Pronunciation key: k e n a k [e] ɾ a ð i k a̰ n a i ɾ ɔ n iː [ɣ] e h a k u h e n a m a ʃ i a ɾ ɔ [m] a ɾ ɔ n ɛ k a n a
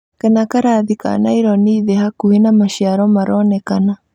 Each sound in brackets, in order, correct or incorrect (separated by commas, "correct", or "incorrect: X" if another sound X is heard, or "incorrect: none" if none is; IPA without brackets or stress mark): incorrect: a, incorrect: ð, correct